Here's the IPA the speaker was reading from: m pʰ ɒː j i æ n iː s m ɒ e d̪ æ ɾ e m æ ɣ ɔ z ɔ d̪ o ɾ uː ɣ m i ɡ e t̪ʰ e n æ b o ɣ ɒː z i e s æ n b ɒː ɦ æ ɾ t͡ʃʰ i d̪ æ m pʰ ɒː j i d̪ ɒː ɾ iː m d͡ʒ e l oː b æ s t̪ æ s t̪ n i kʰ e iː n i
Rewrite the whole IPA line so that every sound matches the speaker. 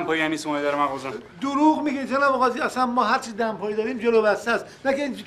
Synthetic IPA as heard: m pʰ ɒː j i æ n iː s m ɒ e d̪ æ ɾ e m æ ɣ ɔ z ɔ d̪ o ɾ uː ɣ m i ɡ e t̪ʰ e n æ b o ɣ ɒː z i æ s æ n m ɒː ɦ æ ɾ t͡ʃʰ i d̪ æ m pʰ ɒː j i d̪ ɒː ɾ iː m d͡ʒ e l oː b æ s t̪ æ s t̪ n æ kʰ e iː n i